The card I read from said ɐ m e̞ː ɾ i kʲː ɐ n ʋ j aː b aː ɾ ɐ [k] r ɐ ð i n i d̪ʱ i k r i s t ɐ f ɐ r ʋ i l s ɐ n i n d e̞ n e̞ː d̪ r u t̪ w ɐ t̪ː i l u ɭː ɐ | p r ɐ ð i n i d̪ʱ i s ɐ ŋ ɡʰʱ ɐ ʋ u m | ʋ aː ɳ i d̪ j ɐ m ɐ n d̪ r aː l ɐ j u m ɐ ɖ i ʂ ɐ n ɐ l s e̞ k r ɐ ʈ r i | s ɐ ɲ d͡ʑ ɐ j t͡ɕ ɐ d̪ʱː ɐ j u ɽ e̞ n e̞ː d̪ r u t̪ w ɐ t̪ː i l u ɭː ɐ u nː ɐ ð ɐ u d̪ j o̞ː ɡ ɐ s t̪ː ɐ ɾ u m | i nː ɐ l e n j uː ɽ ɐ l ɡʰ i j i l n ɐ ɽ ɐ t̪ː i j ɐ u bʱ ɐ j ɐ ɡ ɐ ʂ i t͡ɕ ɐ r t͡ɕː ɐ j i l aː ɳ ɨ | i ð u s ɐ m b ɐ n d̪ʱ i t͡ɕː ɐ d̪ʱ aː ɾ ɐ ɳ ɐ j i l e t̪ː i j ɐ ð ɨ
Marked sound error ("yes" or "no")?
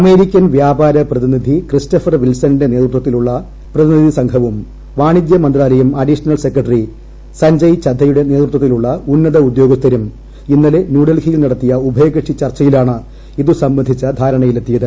yes